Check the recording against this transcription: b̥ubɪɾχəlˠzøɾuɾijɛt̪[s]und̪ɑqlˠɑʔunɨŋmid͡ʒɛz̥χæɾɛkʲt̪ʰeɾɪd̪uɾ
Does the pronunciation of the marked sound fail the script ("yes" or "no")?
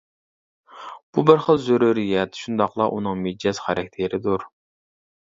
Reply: yes